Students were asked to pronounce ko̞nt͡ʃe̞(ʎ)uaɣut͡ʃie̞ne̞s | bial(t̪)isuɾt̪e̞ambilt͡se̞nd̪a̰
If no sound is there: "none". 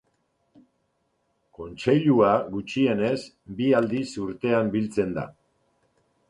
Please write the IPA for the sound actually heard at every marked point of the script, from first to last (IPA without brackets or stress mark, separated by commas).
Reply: ʎ, d̪